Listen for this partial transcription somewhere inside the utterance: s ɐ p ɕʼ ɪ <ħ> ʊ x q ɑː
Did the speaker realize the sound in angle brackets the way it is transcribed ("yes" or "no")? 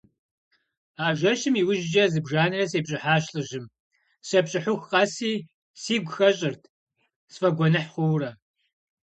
yes